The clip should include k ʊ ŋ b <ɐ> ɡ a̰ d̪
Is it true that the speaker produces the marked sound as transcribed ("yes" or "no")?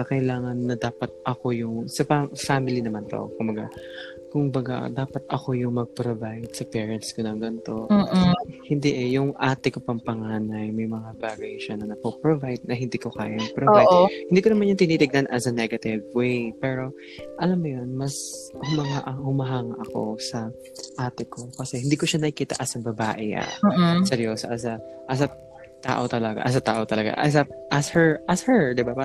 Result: yes